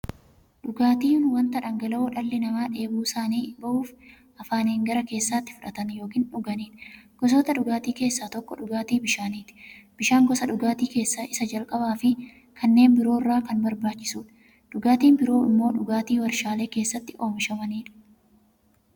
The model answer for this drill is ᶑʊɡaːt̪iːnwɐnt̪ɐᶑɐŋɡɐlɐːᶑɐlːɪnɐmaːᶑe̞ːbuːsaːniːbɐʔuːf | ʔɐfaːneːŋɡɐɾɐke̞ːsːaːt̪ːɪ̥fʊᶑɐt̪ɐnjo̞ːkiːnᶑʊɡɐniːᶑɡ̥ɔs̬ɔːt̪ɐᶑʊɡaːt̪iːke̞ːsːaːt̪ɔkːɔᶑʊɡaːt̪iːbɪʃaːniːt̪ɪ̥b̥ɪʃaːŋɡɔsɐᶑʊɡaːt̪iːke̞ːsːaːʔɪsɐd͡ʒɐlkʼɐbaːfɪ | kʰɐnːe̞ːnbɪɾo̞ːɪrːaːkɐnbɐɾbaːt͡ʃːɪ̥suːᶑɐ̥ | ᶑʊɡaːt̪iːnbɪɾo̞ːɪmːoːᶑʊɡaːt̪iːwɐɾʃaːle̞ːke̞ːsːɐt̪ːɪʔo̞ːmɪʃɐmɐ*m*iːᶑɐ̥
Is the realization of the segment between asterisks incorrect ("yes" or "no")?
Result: yes